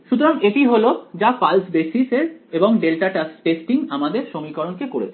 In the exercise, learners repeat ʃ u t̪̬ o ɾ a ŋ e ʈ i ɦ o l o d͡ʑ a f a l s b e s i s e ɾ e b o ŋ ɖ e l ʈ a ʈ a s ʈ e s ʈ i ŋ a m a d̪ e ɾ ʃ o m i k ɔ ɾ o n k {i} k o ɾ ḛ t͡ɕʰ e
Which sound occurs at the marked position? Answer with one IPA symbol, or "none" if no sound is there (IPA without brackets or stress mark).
e